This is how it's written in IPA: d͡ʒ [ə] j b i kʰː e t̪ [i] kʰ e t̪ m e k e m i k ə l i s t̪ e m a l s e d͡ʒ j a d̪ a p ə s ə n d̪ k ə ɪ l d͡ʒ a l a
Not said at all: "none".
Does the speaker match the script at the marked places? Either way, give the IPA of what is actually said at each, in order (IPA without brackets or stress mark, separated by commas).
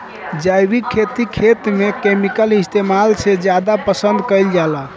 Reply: a, i